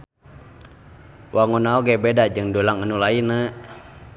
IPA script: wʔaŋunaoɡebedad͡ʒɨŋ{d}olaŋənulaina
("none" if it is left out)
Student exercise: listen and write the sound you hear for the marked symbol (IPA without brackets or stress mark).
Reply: d